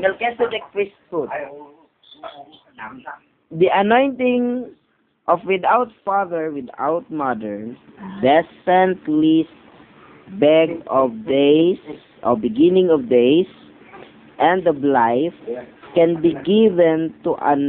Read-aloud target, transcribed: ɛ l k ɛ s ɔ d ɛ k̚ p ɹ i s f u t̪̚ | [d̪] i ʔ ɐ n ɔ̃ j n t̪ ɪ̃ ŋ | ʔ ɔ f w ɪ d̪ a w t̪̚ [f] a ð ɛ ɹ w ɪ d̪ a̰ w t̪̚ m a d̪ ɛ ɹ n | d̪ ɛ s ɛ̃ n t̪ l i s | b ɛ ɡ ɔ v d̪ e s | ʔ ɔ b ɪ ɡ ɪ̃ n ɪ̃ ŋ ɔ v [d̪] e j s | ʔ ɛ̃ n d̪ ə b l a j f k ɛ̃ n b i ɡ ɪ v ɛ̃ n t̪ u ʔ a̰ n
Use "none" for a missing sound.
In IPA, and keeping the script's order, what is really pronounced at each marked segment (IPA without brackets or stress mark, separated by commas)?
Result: d̪, f, d̪